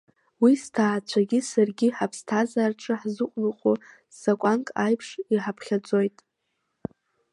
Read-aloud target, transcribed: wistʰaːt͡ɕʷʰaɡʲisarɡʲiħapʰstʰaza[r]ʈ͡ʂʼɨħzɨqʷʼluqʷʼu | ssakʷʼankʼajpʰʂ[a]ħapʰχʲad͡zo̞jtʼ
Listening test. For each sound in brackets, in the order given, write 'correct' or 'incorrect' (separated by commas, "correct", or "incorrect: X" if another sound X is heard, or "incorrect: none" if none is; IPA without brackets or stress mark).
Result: correct, incorrect: i